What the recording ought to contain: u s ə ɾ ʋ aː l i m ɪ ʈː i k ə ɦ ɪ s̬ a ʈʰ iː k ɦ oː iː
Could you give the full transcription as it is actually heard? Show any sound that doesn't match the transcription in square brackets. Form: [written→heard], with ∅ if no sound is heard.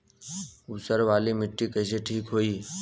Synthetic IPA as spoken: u s ə ɾ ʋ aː l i m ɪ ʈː i k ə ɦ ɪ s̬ [a→e] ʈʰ iː k ɦ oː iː